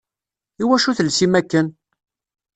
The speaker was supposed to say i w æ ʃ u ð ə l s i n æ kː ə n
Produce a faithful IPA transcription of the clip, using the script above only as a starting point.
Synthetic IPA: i w æ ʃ u θ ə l s i m æ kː ə n